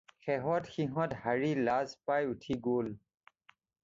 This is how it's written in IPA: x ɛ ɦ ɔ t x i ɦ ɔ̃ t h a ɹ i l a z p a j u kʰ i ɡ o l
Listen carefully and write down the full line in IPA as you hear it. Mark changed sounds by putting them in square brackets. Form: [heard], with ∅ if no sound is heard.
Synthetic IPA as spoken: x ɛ ɦ ɔ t x i ɦ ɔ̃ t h a ɹ i l a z p a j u [tʰ] i ɡ o l

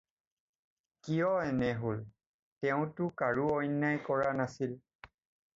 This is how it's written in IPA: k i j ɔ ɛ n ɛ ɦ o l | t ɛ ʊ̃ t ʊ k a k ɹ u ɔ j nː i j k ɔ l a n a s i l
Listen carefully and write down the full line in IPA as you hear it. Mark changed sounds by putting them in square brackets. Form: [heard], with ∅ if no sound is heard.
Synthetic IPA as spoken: k i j ɔ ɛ n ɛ ɦ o l | t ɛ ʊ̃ t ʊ k a [∅] ɹ u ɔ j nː [a] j k ɔ [ɹ] a n a s i l

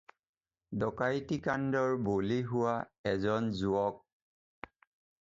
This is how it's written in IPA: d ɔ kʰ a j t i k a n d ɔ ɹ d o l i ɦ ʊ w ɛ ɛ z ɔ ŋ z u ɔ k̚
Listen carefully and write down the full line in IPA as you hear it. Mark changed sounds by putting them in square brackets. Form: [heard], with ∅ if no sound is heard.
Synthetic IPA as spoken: d ɔ [k] a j t i k a n d ɔ ɹ [b] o l i ɦ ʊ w [a] ɛ z ɔ [n] z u ɔ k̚

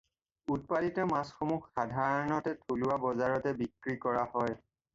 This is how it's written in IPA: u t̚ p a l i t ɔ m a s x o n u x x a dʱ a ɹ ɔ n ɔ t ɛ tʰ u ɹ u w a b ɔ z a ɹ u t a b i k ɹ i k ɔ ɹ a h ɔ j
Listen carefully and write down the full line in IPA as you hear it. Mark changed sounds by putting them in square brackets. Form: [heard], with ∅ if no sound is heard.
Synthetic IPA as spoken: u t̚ p a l i t ɔ m a s x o [m] u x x a dʱ a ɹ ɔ n ɔ t ɛ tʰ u [l] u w a b ɔ z a ɹ [ɔ] t [ɛ] b i k ɹ i k ɔ ɹ a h ɔ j

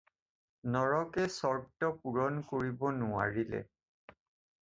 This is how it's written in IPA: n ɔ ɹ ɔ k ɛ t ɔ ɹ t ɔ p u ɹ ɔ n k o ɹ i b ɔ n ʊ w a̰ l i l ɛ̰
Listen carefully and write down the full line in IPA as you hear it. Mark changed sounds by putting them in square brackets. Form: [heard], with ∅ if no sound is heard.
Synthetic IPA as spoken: n ɔ ɹ ɔ k ɛ [s] ɔ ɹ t ɔ p u ɹ ɔ n k o ɹ i b ɔ n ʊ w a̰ [ɹ] i l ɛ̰

